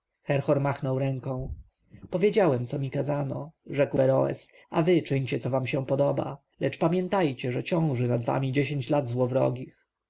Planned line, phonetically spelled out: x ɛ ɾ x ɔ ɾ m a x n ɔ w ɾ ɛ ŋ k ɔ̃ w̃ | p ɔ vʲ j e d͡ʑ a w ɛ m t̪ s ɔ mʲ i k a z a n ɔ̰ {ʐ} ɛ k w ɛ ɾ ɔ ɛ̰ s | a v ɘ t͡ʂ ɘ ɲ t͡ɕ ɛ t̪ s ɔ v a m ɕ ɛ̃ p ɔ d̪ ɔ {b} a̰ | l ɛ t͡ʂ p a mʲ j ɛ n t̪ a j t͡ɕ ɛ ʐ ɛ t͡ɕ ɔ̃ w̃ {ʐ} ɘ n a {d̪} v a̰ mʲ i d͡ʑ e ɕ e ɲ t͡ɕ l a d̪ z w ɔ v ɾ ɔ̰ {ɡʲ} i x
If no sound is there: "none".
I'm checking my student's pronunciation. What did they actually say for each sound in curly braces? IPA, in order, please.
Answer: ʐ, b, ʐ, d̪, ɡʲ

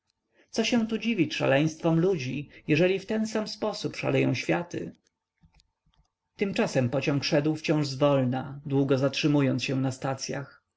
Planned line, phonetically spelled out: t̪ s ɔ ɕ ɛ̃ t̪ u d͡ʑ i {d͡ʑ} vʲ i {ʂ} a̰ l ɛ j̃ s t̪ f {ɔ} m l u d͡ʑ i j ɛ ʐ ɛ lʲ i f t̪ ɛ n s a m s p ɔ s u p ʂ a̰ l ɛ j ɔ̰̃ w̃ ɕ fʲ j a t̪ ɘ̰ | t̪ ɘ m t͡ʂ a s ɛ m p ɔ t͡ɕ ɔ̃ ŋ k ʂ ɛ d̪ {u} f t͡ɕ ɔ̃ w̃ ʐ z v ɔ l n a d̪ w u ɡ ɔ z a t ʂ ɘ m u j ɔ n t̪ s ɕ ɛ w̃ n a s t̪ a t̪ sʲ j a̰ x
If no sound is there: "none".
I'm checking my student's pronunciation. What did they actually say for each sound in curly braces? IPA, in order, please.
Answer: none, ʂ, ɔ, w

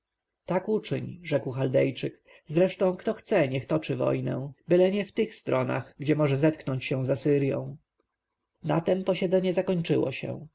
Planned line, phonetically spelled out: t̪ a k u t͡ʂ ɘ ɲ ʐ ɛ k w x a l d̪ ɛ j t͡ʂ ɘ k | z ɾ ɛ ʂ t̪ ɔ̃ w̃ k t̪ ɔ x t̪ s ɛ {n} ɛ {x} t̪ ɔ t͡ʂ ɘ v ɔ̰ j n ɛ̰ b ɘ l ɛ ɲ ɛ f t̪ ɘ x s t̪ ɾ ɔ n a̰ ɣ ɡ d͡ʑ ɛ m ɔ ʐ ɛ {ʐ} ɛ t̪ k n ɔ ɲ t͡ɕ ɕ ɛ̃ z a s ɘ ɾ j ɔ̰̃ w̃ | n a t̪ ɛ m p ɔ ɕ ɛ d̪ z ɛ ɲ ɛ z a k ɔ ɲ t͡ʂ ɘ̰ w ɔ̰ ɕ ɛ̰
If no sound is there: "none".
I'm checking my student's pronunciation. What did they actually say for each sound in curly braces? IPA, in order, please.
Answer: ɲ, x, z

